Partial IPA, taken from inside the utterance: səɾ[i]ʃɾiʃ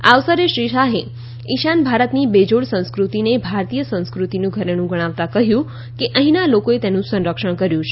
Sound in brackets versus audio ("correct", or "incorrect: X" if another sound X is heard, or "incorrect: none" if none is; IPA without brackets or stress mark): incorrect: e